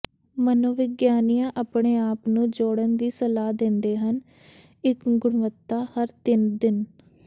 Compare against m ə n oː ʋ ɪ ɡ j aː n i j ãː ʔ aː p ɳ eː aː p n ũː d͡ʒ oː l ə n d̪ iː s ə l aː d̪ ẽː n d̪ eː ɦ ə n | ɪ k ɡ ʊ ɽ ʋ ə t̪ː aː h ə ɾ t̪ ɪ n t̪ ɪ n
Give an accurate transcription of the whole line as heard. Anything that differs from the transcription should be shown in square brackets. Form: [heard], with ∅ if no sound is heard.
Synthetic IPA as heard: m ə n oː ʋ ɪ ɡ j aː n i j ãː ʔ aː p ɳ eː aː p n ũː d͡ʒ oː [ɽ] ə n d̪ iː s ə l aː d̪ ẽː n d̪ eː ɦ ə n | ɪ k ɡ ʊ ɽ ʋ ə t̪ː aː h ə ɾ t̪ ɪ n [d̪] ɪ n

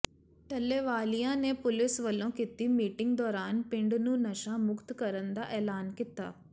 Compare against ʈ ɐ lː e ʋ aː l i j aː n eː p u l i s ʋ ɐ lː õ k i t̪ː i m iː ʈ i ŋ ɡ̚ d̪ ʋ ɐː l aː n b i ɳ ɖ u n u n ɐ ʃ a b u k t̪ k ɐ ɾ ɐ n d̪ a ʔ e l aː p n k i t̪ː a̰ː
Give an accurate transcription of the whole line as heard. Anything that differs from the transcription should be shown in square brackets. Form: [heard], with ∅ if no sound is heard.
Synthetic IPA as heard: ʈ ɐ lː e ʋ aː l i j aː n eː p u l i s ʋ ɐ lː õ k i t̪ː i m iː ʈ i ŋ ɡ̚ d̪ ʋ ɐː [ɾ] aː n [p] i ɳ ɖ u n u n ɐ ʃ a [m] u k t̪ k ɐ ɾ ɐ n d̪ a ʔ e l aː [∅] n k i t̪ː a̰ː

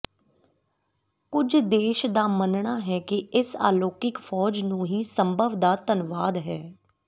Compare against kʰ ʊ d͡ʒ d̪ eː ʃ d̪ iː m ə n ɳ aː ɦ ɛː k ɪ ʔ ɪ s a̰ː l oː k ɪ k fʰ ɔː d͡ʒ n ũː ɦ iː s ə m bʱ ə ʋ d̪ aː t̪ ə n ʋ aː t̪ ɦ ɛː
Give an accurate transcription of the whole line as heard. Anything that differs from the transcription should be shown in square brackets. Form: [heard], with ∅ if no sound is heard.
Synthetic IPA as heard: [k] ʊ d͡ʒ d̪ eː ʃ d̪ [aː] m ə n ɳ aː ɦ ɛː k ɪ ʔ ɪ s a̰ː l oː k ɪ k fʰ ɔː d͡ʒ n ũː ɦ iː s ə m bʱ ə ʋ d̪ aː t̪ ə n ʋ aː [d̪] ɦ ɛː

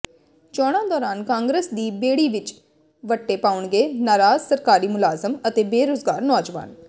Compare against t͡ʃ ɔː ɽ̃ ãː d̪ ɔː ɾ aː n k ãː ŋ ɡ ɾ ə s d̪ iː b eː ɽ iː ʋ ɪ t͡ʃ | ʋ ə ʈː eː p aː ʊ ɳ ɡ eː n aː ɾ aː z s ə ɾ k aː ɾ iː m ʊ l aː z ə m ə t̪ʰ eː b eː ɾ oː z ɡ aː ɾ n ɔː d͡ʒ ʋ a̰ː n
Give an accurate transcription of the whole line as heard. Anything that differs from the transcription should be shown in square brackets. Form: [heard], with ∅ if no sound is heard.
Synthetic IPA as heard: t͡ʃ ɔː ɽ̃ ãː d̪ ɔː ɾ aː n k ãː ŋ ɡ ɾ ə s d̪ iː b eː ɽ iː ʋ ɪ t͡ʃ | ʋ ə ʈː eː p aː ʊ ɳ ɡ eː n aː ɾ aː z s ə ɾ k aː ɾ iː m ʊ l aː z ə m ə [t̪] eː b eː ɾ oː z ɡ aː ɾ n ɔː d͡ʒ ʋ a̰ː n

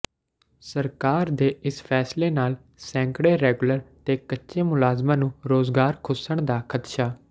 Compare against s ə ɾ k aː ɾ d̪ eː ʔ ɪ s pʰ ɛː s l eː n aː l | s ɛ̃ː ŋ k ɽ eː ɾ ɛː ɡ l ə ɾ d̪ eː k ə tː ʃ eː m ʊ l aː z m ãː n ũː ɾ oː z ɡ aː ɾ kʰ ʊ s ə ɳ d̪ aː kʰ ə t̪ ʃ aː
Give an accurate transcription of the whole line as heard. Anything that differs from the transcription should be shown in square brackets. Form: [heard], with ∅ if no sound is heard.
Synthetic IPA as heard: s ə ɾ k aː ɾ d̪ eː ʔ ɪ s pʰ ɛː s l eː n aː l | s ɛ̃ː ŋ k ɽ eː ɾ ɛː ɡ l ə ɾ [t̪] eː k ə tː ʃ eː m ʊ l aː z m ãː n ũː ɾ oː z ɡ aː ɾ kʰ ʊ s ə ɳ d̪ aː kʰ ə t̪ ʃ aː

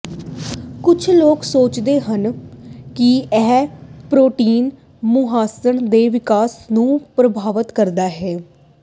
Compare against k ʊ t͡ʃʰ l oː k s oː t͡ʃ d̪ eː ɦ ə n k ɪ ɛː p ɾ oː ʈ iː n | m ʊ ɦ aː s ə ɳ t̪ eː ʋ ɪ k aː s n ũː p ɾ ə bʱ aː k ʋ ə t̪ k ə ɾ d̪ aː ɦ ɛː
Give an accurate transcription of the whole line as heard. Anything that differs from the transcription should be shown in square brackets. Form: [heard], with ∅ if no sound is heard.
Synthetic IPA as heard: k ʊ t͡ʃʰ l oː k s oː t͡ʃ d̪ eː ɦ ə n k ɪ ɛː p ɾ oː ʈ iː n | m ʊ ɦ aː s ə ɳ [d̪] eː ʋ ɪ k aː s n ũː p ɾ ə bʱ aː [∅] ʋ ə t̪ k ə ɾ d̪ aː ɦ ɛː

